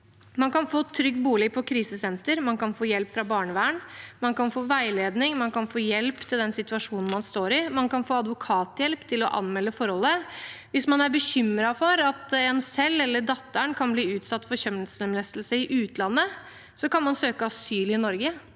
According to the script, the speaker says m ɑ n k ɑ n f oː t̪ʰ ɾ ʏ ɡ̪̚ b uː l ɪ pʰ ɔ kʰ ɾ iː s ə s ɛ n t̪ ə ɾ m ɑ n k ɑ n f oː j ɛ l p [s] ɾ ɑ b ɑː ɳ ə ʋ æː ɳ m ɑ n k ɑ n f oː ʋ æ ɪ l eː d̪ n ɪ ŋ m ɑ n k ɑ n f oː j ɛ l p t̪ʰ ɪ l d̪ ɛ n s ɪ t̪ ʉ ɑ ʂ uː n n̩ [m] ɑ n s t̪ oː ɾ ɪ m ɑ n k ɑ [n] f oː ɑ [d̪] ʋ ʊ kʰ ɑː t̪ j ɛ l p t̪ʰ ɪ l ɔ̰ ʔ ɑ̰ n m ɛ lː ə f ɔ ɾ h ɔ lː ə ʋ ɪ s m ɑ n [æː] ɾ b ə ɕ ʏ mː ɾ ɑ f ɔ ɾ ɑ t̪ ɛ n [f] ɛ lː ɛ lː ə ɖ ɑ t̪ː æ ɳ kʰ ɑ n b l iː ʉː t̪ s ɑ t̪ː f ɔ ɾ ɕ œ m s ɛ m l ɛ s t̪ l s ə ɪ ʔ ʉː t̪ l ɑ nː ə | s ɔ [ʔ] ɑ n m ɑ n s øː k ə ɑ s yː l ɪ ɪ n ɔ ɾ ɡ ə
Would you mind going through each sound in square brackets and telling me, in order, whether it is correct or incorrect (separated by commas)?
incorrect, correct, correct, correct, incorrect, incorrect, incorrect